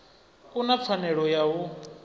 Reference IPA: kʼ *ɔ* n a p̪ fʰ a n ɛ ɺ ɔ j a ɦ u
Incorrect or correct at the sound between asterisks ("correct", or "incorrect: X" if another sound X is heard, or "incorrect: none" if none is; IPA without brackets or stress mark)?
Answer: incorrect: u